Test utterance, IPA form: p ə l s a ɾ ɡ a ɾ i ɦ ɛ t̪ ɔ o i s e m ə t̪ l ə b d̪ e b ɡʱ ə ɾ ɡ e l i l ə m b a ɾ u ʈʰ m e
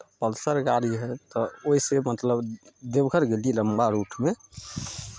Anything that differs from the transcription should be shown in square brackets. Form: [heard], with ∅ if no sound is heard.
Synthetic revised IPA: p ə l s [ə] ɾ ɡ a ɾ i ɦ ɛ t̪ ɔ o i s e m ə t̪ l ə b d̪ e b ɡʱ ə ɾ ɡ e l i l ə m b a ɾ u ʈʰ m e

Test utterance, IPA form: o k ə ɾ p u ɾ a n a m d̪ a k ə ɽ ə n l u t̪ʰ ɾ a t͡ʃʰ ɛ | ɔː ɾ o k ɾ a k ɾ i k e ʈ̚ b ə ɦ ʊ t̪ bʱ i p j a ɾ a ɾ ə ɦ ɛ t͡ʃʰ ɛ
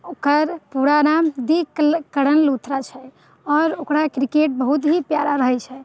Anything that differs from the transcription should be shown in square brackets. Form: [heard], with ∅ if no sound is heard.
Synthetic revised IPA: o k ə ɾ p u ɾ a n a m d̪ [i] k ə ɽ ə n l u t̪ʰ ɾ a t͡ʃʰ ɛ | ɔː ɾ o k ɾ a k ɾ i k e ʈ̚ b ə ɦ [u] t̪ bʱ i p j a ɾ a ɾ ə ɦ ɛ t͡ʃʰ ɛ

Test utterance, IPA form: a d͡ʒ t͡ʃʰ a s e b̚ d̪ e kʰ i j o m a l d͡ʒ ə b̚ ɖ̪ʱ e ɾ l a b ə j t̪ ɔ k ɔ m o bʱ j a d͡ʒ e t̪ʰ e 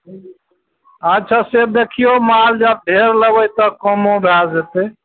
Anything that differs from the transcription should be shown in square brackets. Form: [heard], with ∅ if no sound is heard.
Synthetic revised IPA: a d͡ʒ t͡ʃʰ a s e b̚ d̪ e kʰ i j o m a l d͡ʒ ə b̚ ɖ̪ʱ e ɾ l [ə] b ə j t̪ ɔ k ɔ m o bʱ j a d͡ʒ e [t̪] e

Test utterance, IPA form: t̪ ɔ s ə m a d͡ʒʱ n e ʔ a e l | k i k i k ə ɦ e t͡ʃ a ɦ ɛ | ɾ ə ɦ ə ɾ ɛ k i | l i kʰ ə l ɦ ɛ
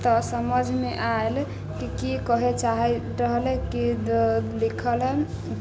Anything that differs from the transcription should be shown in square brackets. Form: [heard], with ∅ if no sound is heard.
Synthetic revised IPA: t̪ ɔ s ə m [ə] d͡ʒʱ [m] e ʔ a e l | k i k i k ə ɦ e t͡ʃ a ɦ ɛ | ɾ ə ɦ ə [l] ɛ k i | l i kʰ ə l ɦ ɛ

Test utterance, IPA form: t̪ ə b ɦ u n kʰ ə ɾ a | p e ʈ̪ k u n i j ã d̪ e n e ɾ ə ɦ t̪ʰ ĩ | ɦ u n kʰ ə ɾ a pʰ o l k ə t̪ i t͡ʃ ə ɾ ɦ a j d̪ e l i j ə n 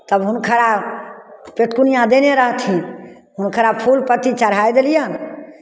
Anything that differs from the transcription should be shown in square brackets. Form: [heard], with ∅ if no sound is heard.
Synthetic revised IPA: t̪ ə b ɦ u n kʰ ə ɾ a | p e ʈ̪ k u n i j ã d̪ e n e ɾ ə ɦ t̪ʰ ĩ | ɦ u n kʰ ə ɾ a pʰ [u] l [p] ə t̪ i t͡ʃ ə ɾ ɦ a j d̪ e l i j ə n

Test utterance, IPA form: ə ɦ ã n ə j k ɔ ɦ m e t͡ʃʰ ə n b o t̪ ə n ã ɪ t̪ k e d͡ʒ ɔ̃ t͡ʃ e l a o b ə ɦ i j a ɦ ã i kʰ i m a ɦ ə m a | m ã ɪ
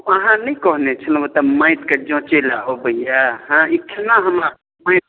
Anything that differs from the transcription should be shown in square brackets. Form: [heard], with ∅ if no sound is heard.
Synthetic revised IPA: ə ɦ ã n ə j k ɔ ɦ [n] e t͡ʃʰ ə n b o t̪ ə [m] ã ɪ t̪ k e d͡ʒ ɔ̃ t͡ʃ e l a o b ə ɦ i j a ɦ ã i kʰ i [n] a ɦ ə m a | m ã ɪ

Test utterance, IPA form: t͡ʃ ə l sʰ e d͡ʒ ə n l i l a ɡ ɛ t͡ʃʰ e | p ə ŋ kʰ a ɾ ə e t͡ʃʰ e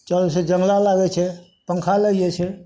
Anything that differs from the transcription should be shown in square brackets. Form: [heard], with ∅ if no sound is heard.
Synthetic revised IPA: t͡ʃ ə l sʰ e d͡ʒ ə [ŋ] l [a] l a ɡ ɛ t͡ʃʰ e | p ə ŋ kʰ a [l] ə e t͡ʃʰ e

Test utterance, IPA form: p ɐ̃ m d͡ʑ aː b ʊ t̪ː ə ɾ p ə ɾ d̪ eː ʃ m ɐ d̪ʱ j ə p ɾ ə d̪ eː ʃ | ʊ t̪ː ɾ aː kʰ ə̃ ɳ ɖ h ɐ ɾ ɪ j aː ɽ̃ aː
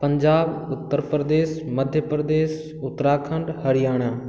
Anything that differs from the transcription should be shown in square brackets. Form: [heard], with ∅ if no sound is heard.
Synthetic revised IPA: p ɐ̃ [ɲ] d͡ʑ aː b ʊ t̪ː ə ɾ p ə ɾ d̪ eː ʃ m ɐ d̪ʱ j ə p ɾ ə d̪ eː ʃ | ʊ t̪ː ɾ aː kʰ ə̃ ɳ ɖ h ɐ ɾ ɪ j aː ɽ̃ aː

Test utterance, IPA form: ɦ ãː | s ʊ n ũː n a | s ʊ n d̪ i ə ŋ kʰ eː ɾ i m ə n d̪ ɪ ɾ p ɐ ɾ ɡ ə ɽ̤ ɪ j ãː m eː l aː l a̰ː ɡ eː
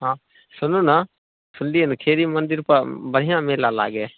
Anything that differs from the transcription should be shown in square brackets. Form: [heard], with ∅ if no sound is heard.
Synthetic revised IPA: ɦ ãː | s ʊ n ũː n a | s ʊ n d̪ i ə [n] kʰ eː ɾ i m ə n d̪ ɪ ɾ p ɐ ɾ [b] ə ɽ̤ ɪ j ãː m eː l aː l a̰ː ɡ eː

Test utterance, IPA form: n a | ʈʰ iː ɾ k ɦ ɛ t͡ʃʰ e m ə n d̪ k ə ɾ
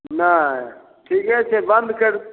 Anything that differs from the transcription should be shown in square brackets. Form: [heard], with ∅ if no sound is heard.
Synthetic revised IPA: n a | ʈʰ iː [∅] k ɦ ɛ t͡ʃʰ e [b] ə n d̪ k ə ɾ

